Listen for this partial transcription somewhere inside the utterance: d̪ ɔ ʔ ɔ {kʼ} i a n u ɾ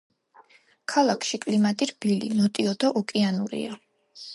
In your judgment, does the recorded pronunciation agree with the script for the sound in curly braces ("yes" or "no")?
yes